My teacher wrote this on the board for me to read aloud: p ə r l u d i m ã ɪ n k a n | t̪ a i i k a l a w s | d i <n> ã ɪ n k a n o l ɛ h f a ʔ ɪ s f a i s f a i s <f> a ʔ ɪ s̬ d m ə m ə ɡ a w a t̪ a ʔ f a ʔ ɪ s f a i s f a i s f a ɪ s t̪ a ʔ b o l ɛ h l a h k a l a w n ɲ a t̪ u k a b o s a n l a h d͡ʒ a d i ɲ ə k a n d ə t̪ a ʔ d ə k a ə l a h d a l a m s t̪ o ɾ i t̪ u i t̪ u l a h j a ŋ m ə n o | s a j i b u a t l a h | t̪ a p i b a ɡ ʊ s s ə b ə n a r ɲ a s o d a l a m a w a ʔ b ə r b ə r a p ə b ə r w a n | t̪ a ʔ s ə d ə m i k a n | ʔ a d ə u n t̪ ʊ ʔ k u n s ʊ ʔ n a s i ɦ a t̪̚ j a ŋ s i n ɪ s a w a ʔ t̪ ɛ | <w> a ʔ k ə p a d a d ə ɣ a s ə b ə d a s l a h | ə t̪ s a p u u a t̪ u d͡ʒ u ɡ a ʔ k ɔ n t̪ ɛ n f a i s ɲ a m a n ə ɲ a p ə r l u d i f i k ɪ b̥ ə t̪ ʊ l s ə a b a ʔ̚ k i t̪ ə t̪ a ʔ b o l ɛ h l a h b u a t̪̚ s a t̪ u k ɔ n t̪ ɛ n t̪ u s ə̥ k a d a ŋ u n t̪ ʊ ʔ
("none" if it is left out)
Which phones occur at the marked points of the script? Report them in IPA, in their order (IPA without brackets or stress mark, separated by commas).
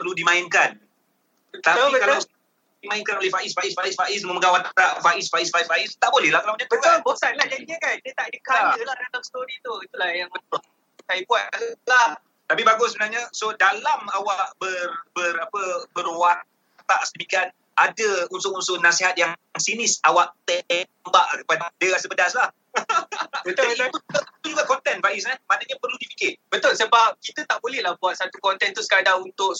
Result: m, f, b